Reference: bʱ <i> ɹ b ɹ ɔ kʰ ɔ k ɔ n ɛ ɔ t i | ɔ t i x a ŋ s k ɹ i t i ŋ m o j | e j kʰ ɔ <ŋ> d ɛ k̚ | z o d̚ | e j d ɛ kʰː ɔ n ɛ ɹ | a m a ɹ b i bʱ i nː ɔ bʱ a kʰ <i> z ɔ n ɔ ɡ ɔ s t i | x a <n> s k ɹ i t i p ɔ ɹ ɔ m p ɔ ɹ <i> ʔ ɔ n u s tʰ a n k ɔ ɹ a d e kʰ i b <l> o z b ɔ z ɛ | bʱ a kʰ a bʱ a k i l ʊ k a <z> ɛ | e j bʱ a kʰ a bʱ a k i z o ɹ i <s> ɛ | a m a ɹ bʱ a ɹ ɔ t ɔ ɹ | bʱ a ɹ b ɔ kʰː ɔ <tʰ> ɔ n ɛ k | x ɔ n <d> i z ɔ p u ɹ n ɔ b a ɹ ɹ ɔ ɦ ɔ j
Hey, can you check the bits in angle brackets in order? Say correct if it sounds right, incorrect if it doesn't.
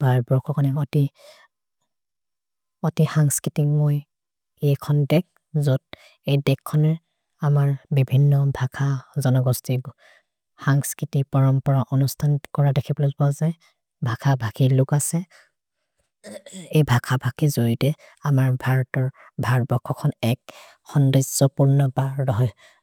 incorrect: a, incorrect: n, incorrect: a, incorrect: ŋ, incorrect: a, correct, incorrect: s, incorrect: t, incorrect: kʰ, correct

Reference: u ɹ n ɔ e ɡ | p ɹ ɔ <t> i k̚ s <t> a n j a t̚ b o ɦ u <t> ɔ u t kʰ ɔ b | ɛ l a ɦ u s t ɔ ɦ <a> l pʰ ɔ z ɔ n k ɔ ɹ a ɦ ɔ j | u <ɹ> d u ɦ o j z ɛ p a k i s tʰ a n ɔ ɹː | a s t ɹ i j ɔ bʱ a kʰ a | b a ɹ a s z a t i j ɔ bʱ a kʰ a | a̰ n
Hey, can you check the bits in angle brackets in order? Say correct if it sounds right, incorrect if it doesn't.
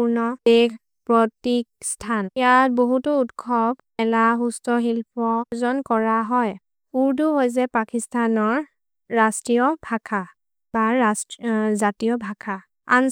correct, incorrect: tʰ, correct, incorrect: i, correct

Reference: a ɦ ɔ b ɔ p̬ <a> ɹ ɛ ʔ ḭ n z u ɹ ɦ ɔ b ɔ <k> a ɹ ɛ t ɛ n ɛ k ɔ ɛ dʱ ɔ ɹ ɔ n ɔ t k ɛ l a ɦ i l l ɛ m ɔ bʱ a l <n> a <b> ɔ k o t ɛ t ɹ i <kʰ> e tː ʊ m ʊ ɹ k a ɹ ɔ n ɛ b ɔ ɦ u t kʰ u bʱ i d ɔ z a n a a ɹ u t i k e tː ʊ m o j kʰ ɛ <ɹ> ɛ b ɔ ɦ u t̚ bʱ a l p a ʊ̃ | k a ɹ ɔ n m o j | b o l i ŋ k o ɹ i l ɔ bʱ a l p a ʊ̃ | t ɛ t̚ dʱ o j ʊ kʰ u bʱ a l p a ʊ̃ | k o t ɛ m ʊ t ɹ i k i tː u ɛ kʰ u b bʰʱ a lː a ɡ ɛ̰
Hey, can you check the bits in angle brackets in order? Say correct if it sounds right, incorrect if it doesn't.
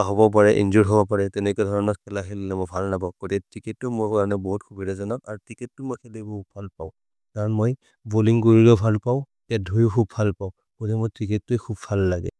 correct, incorrect: p, correct, correct, incorrect: k, incorrect: l

